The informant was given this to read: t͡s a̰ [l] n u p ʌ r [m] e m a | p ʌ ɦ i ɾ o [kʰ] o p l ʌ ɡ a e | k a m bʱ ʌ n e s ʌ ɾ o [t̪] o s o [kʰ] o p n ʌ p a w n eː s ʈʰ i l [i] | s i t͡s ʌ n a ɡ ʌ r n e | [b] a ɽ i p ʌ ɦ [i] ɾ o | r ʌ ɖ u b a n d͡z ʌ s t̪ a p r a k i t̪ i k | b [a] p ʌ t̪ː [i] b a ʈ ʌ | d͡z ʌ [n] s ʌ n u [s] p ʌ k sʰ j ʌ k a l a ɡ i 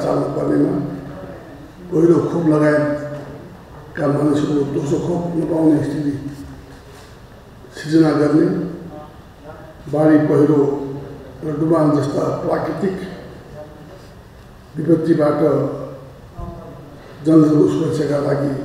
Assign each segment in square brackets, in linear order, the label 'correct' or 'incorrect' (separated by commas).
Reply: correct, incorrect, correct, incorrect, correct, correct, correct, correct, incorrect, correct, correct, correct